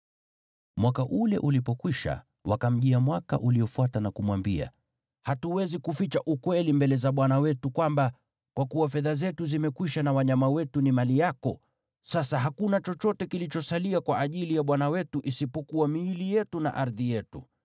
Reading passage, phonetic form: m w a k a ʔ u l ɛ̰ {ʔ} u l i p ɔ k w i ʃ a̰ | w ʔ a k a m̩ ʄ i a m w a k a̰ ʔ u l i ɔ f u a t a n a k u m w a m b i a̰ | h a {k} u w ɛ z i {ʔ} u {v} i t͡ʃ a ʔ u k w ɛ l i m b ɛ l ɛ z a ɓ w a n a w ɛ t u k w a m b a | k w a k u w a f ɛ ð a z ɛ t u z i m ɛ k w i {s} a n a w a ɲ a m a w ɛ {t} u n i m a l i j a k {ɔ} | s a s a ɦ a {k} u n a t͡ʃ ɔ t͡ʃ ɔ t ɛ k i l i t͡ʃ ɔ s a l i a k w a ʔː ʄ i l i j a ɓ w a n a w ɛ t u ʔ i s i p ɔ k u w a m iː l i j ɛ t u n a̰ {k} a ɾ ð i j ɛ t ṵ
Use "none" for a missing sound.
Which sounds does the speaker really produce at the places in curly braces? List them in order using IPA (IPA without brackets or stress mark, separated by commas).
ʔ, t, k, f, ʃ, t, ɔ, k, ʔ